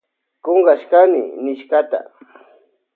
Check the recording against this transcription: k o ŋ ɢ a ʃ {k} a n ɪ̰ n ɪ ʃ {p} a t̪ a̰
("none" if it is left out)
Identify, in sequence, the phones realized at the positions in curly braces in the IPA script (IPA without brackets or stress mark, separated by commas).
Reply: k, k